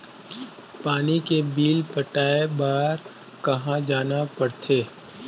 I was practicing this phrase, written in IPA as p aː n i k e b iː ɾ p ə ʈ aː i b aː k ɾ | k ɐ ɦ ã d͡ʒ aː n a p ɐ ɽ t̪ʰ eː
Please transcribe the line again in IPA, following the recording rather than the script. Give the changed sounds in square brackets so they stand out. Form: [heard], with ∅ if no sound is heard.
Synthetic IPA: p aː n i k e b iː [l] p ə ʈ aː [e] b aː [∅] ɾ | k ɐ ɦ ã d͡ʒ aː n a p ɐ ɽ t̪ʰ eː